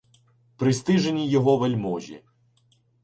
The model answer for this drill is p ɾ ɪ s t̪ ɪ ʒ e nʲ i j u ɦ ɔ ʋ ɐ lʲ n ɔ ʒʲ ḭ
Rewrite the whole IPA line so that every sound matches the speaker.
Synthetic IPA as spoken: p ɾ ɪ s t̪ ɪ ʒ e nʲ i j ɔ ɦ ɔ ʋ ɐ lʲ m ɔ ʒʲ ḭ